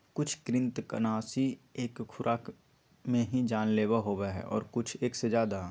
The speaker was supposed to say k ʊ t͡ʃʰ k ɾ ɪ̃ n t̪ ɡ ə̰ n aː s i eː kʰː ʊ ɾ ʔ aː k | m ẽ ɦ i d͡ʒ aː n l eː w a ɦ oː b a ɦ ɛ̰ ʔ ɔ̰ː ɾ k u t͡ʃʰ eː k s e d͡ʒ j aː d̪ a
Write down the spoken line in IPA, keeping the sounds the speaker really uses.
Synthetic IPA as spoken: k ʊ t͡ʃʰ k ɾ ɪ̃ n t̪ k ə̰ n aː s i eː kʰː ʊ ɾ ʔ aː k | m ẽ ɦ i d͡ʒ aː n l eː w a ɦ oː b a ɦ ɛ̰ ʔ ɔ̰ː ɾ k ʊ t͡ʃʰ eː k s e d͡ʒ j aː d̪ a

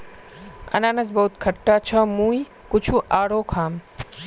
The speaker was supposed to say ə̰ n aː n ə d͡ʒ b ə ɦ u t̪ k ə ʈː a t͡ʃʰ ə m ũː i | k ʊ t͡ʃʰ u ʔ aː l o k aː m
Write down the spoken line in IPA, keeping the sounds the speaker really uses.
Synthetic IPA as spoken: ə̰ n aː n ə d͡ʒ b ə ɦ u t̪ kʰ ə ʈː a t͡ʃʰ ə m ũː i | k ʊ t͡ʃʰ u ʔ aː ɽ o kʰ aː m

